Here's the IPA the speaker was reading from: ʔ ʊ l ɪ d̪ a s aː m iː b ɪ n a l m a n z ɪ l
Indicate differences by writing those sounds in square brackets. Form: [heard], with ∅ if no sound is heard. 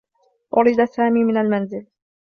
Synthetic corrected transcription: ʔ ʊ [ɾ] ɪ d̪ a s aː m iː [m] ɪ n a l m a n z ɪ l